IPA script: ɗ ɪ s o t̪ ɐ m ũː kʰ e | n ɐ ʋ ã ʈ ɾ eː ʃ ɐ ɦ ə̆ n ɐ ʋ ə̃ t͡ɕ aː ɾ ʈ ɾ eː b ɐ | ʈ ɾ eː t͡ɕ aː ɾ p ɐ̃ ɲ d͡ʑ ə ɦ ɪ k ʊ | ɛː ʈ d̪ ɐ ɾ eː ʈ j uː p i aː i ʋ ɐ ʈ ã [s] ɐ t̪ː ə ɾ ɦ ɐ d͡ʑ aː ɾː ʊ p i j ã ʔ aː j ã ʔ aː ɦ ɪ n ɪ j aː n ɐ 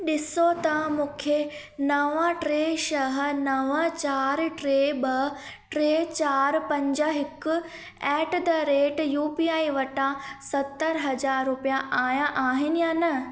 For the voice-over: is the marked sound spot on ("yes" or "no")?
yes